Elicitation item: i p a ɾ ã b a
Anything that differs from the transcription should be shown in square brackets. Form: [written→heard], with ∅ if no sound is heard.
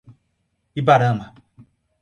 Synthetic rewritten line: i [p→b] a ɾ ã [b→m] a